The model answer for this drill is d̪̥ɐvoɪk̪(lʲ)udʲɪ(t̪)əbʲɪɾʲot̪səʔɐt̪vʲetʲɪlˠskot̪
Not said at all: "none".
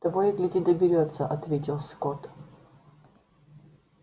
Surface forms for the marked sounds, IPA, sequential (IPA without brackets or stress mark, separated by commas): lʲ, d̪